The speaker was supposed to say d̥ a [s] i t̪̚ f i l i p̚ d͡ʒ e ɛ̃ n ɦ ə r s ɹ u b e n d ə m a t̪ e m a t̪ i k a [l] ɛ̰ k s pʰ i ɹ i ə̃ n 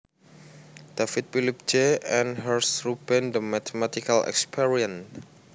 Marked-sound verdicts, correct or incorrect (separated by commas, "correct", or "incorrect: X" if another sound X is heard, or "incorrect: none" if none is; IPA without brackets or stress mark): incorrect: f, correct